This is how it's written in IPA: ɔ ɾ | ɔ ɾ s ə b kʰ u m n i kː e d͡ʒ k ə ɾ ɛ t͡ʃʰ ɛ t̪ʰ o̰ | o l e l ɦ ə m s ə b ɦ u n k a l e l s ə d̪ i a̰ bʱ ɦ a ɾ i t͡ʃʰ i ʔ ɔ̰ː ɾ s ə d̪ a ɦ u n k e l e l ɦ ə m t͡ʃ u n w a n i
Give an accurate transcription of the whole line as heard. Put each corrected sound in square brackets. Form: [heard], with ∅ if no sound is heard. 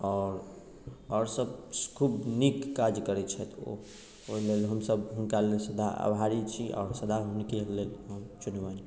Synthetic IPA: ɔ ɾ | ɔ ɾ s ə b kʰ u [b] n i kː [a] d͡ʒ k ə ɾ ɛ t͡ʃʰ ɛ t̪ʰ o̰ | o l e l ɦ ə m s ə b ɦ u n k a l e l s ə d̪ [a] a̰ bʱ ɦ a ɾ i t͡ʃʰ i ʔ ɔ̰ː ɾ s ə d̪ a ɦ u n k e l e l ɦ ə m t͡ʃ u n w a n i